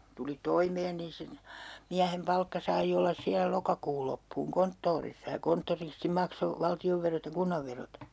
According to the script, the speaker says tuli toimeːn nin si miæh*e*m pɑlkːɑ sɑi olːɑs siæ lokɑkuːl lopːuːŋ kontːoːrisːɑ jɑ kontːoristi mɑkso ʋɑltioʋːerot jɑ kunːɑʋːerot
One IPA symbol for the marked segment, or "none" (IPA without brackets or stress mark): e